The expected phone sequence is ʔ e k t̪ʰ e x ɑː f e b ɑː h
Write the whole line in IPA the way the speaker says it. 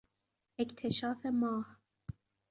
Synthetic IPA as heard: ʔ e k t̪ʰ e ʃ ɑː f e m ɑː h